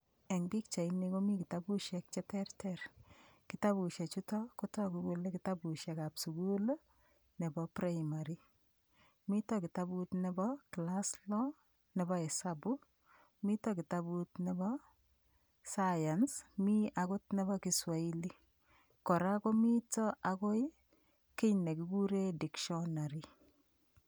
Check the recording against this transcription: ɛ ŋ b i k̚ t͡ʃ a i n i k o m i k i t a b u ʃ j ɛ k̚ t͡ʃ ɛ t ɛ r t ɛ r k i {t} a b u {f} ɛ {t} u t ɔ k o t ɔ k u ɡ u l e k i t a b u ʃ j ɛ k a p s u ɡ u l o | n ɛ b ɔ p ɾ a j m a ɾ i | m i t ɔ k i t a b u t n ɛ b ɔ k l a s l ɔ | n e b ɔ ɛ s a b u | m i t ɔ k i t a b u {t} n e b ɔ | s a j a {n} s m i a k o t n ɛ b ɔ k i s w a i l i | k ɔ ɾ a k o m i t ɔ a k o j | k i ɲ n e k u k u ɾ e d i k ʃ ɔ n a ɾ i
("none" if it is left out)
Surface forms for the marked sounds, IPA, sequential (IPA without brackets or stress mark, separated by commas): t, ʃ, t͡ʃ, t, n